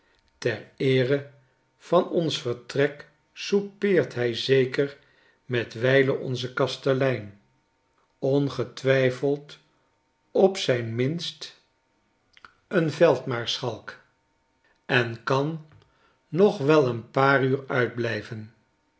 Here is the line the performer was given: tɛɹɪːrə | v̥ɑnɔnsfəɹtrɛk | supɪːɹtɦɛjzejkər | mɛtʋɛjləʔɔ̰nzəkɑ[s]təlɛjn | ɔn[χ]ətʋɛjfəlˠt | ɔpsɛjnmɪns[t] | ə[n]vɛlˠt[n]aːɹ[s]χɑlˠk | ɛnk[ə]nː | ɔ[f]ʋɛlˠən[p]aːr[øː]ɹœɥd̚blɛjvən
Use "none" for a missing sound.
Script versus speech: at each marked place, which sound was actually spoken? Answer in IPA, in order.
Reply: s, χ, t, n, m, s, ɑ, χ, p, yː

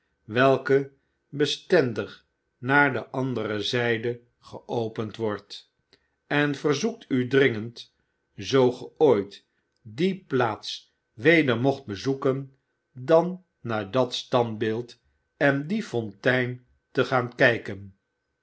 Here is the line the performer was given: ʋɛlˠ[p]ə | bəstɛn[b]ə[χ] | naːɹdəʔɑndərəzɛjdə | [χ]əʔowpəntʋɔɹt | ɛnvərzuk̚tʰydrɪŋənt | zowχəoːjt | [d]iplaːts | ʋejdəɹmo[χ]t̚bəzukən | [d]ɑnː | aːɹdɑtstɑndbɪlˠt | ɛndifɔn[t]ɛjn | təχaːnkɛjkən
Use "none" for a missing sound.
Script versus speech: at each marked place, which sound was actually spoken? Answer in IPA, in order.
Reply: k, d, χ, χ, d, χ, d, t

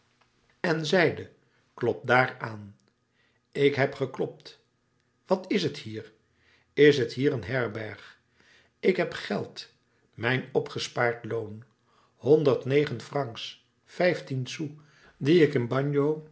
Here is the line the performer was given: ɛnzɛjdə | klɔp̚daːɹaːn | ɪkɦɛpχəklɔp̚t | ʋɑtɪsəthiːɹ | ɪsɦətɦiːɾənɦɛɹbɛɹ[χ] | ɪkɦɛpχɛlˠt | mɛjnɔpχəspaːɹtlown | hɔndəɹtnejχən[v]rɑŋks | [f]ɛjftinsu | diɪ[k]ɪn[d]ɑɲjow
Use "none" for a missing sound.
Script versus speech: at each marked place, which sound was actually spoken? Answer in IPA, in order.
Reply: χ, f, f, k, b

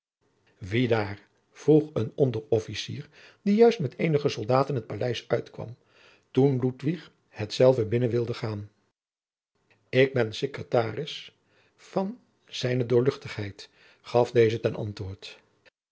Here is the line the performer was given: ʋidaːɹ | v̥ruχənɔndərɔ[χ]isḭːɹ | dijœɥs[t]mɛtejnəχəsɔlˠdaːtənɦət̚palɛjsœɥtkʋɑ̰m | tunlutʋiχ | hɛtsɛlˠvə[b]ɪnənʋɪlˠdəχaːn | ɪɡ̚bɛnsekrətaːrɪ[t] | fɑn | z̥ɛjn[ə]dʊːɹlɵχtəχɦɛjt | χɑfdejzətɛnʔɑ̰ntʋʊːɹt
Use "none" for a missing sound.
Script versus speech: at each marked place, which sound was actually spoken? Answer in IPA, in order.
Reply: f, t, b, s, ə

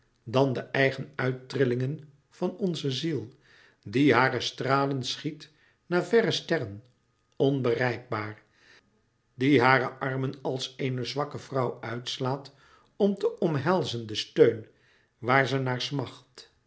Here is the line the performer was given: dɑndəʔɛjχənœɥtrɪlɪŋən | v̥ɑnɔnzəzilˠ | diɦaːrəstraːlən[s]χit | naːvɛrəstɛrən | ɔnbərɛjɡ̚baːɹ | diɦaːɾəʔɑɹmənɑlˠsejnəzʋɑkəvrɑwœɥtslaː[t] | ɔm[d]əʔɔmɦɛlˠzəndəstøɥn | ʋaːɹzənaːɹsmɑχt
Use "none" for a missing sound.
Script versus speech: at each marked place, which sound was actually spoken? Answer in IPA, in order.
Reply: s, t, t

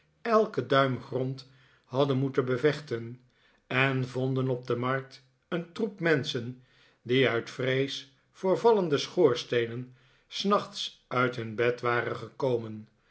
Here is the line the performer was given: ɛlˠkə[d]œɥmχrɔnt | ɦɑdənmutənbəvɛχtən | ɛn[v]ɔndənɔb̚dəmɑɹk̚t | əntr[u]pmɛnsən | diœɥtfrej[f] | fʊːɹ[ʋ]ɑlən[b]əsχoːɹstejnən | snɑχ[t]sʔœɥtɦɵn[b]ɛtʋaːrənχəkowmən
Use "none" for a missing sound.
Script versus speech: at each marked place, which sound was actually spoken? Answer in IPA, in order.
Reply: d, v, u, s, v, d, t, b

